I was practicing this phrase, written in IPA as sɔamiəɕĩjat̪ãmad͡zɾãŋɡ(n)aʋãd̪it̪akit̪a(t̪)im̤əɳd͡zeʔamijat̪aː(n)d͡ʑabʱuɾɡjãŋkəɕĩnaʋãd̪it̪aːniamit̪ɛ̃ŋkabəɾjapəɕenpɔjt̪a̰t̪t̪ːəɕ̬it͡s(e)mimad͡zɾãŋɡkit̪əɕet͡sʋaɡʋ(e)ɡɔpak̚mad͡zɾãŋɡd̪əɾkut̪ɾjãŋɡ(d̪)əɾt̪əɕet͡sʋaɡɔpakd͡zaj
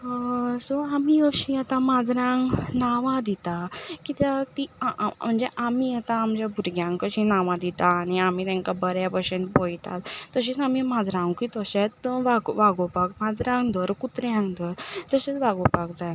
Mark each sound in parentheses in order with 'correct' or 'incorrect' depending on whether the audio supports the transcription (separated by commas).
correct, correct, incorrect, incorrect, incorrect, correct